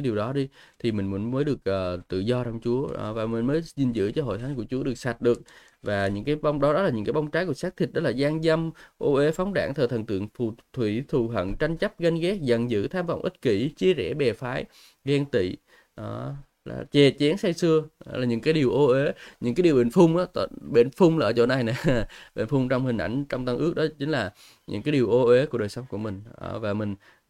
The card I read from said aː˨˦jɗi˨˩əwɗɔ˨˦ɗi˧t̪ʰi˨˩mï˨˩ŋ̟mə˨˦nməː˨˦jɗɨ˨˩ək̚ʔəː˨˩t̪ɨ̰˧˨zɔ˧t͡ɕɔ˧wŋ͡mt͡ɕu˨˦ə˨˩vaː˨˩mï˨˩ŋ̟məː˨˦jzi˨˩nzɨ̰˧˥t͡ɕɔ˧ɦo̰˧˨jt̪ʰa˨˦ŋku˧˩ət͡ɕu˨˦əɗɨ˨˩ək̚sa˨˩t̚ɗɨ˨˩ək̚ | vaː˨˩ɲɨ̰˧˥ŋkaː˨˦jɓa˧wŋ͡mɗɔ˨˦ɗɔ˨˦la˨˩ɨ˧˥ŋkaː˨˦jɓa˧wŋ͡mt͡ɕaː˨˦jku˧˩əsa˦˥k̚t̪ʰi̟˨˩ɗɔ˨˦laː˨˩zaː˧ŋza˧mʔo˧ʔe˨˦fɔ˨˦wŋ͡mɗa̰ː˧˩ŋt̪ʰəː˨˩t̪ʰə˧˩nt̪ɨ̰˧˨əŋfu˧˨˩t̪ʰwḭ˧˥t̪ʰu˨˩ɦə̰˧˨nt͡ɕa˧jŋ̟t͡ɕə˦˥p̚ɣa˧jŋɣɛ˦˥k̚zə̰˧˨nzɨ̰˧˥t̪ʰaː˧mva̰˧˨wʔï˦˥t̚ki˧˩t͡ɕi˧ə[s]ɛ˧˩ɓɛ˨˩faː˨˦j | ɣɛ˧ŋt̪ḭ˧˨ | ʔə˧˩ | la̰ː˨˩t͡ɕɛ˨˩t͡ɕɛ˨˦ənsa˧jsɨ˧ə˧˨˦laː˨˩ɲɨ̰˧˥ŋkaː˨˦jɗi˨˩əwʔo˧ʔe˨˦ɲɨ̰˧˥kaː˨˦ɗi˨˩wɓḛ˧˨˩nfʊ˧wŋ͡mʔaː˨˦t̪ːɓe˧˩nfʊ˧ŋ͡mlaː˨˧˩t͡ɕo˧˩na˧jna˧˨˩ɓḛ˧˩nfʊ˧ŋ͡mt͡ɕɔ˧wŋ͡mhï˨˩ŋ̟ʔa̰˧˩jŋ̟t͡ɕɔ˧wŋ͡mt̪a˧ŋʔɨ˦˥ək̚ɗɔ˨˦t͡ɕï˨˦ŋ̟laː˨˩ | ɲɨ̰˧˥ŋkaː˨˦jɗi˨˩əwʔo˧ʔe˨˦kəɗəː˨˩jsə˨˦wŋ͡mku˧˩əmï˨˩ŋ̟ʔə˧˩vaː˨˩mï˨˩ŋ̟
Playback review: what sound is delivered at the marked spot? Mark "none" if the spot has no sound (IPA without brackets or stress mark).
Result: z